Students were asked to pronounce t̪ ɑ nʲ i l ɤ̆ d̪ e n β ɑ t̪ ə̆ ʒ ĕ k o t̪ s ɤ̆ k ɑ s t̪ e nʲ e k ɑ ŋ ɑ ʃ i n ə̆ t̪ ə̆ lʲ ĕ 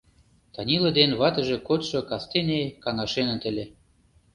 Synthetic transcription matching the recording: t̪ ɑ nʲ i l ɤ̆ d̪ e n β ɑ t̪ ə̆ ʒ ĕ k o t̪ ʃ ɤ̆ k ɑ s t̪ e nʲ e k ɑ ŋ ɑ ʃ e n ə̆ t̪ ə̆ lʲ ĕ